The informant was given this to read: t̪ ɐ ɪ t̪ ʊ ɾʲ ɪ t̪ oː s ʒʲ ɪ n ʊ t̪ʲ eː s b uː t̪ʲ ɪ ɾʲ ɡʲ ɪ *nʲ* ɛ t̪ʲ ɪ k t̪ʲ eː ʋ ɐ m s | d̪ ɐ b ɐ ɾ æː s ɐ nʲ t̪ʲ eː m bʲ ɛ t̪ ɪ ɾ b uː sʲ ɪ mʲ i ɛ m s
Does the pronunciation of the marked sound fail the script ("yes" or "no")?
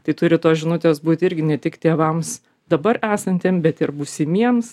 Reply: no